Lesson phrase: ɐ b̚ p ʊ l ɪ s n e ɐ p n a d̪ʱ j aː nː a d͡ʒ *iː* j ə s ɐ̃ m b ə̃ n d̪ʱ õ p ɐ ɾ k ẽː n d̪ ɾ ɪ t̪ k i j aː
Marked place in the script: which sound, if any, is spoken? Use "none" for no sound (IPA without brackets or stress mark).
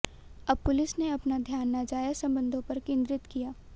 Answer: aː